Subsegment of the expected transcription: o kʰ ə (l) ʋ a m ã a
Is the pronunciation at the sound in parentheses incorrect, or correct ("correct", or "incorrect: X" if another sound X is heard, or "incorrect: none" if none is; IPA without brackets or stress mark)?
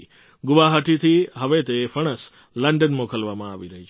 correct